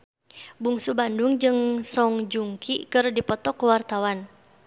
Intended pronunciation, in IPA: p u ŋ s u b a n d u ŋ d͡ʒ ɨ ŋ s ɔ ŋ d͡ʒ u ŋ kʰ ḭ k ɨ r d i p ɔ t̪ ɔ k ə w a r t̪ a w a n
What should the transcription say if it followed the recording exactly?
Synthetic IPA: b u ŋ s u b a n d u ŋ d͡ʒ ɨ ŋ s ɔ ŋ d͡ʒ u ŋ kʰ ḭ k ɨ r d i p ɔ t̪ ɔ k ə w a r t̪ a w a n